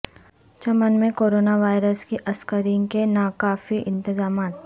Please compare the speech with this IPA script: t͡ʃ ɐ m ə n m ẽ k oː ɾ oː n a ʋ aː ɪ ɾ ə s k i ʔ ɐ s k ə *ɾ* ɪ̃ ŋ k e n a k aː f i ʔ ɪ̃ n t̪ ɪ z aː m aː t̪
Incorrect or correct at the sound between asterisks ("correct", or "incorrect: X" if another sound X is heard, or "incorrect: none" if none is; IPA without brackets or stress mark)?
correct